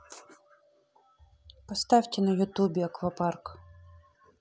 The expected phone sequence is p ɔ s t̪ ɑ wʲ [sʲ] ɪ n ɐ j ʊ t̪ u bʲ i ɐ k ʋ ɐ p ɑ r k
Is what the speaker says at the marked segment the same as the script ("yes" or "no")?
no